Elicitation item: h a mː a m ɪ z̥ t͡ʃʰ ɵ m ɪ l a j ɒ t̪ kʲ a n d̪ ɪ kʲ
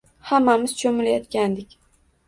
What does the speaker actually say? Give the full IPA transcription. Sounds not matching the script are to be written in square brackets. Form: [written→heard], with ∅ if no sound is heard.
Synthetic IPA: h a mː a m ɪ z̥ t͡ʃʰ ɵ m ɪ l a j ɒ t̪ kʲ a n d̪ ɪ kʲ